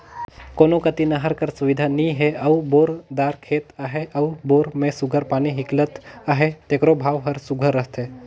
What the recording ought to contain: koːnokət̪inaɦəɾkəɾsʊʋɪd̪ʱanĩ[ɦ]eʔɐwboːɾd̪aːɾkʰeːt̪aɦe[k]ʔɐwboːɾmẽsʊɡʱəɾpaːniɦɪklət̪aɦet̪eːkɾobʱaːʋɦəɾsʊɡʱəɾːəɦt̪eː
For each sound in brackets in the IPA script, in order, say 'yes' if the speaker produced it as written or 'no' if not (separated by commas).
yes, no